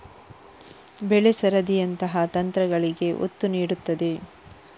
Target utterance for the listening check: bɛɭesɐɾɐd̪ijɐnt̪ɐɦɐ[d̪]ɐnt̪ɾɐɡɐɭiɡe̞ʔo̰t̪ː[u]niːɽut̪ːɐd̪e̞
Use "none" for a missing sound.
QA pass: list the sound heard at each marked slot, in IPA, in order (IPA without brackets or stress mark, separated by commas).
t̪, u